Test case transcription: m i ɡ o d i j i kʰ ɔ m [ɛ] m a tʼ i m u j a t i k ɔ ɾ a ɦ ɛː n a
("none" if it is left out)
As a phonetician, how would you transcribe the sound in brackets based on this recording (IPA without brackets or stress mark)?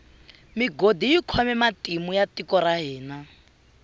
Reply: ɛ